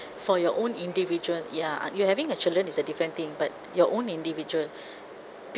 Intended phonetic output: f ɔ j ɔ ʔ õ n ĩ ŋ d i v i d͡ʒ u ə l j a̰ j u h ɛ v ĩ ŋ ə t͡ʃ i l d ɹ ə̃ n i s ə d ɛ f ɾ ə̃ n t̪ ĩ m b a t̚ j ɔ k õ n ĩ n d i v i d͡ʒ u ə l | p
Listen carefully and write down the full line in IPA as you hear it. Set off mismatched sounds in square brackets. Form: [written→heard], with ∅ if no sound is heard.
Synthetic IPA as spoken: f ɔ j ɔ ʔ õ n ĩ [ŋ→n] d i v i d͡ʒ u ə l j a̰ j u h ɛ v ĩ ŋ ə t͡ʃ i l d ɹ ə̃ n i s ə d [ɛ→i] f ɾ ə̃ n t̪ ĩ [m→ŋ] b a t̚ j ɔ [k→ʔ] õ n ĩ n d i v i d͡ʒ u ə l | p